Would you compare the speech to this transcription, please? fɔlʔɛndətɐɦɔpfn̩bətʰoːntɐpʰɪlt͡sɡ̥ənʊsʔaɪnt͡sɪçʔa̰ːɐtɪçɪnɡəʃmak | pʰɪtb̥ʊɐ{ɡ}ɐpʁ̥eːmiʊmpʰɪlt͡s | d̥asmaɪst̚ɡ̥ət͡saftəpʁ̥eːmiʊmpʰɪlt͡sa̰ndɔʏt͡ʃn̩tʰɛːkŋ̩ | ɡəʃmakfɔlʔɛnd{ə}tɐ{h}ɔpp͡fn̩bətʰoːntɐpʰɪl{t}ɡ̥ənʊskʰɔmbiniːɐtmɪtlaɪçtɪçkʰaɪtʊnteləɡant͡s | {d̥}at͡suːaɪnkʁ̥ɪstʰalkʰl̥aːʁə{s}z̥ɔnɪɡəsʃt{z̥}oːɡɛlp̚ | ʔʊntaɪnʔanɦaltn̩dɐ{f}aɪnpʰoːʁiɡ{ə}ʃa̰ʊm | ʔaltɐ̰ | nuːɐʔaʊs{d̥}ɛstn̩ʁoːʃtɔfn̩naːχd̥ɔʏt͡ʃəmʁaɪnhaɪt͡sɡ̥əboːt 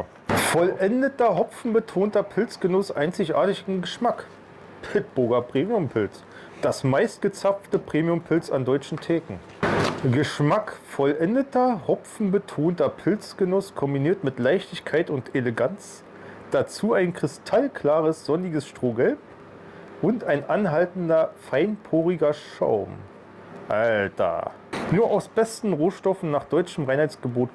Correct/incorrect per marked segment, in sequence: correct, correct, correct, incorrect: t͡s, correct, correct, incorrect: ʁ̥, correct, incorrect: ɐ, incorrect: b̥

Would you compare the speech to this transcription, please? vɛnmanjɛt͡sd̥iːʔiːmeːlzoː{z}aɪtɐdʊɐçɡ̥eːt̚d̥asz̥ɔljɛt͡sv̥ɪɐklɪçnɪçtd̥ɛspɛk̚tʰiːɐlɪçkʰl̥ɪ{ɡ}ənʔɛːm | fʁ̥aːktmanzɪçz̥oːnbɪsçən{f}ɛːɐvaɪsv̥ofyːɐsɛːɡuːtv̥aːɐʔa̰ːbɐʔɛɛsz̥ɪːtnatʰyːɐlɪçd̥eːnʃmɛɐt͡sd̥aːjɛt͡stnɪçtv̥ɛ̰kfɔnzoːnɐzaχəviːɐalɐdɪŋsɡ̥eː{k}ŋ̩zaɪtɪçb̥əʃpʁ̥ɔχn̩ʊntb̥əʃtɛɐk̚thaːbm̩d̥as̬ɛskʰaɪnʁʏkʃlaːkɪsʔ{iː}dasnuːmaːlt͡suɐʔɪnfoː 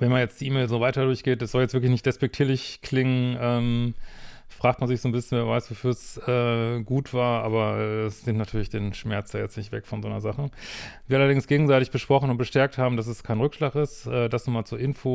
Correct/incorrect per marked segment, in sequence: incorrect: v, incorrect: ŋ, incorrect: v, incorrect: ɡ, incorrect: ɛː

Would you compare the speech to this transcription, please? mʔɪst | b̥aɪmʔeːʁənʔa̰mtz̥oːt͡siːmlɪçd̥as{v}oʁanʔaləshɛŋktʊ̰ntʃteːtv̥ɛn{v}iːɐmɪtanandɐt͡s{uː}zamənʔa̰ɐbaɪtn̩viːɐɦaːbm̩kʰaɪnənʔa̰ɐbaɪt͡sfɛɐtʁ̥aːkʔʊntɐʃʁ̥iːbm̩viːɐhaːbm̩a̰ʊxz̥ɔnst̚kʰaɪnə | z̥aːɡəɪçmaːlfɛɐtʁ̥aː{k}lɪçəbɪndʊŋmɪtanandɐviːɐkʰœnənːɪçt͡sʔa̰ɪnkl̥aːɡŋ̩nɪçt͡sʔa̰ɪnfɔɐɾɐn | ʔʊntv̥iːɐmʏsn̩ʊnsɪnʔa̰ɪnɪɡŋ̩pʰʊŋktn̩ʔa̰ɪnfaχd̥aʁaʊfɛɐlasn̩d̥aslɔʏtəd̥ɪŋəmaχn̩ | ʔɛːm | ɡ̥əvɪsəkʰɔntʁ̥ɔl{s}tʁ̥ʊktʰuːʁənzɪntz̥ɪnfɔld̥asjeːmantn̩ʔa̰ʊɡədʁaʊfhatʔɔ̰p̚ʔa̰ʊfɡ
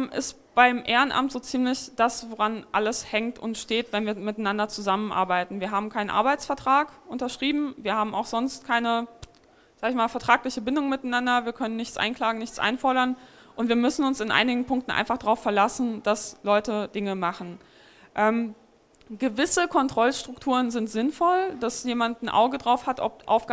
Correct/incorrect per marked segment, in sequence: correct, correct, incorrect: u, correct, incorrect: ʃ

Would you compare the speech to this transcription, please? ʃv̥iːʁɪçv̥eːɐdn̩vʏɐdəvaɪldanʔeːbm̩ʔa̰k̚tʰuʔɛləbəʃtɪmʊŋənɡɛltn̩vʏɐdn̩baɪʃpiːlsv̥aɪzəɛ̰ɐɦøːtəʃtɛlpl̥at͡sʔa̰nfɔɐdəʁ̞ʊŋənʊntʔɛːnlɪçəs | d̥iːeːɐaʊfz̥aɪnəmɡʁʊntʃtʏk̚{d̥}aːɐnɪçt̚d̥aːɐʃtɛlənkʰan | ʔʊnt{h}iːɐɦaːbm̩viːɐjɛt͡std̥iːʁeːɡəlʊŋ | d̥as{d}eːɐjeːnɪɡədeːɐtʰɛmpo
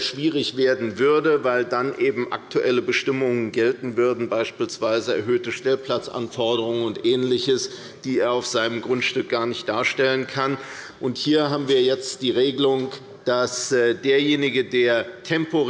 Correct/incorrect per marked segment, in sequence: incorrect: ɡ̥, correct, correct

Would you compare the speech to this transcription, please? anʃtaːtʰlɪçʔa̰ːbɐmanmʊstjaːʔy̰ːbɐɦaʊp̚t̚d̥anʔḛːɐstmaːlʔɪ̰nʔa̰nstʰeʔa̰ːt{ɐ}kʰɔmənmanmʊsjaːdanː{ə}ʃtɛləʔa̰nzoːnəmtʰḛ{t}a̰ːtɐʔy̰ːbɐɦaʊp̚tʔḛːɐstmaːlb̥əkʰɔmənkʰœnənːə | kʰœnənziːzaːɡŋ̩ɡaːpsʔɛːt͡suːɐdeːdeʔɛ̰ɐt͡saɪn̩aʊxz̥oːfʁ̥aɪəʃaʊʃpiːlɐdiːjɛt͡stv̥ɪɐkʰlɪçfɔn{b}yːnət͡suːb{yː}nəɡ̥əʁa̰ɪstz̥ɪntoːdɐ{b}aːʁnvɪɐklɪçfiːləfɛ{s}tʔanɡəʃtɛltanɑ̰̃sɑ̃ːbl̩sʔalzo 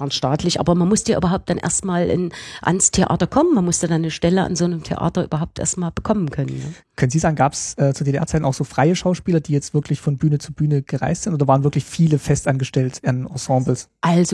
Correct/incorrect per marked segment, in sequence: correct, correct, incorrect: ʔ, correct, correct, incorrect: v, correct

